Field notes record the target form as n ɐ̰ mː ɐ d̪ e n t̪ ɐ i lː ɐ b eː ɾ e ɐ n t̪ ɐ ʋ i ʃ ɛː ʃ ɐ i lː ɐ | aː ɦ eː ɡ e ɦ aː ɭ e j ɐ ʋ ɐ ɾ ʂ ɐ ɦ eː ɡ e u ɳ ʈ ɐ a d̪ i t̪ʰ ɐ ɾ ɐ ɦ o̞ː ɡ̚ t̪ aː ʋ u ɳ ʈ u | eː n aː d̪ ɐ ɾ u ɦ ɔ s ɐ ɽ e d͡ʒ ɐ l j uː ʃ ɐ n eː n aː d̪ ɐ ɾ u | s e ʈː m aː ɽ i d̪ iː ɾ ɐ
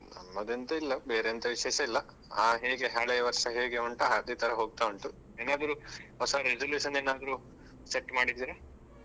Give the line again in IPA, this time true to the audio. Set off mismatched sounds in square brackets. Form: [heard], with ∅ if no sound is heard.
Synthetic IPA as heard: n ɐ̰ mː ɐ d̪ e n t̪ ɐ i lː ɐ b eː ɾ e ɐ n t̪ ɐ ʋ i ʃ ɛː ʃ ɐ i lː ɐ | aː ɦ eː ɡ e ɦ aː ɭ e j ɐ ʋ ɐ ɾ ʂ ɐ ɦ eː ɡ e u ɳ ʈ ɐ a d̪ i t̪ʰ ɐ ɾ ɐ ɦ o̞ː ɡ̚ t̪ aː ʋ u ɳ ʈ u | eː n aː d̪ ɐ ɾ u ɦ ɔ s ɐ [ɾ] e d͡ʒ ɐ l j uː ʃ ɐ n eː n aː d̪ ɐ ɾ u | s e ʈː m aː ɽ i d̪ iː ɾ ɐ